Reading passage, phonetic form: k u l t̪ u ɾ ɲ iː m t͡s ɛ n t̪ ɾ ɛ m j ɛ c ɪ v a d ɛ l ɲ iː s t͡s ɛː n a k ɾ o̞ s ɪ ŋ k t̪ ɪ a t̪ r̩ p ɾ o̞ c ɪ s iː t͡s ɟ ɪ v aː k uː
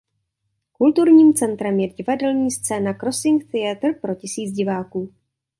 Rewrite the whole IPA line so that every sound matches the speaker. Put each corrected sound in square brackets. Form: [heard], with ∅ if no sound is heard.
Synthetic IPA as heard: k u l t̪ u ɾ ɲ iː m t͡s ɛ n t̪ ɾ ɛ m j ɛ [ɟ] ɪ v a d ɛ l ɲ iː s t͡s ɛː n a k ɾ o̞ s ɪ ŋ k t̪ ɪ a t̪ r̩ p ɾ o̞ c ɪ s iː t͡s ɟ ɪ v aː k uː